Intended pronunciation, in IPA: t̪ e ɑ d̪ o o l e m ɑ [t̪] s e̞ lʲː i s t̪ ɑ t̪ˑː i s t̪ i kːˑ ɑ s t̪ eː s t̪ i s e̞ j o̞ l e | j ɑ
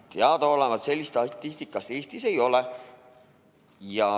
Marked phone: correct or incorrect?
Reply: correct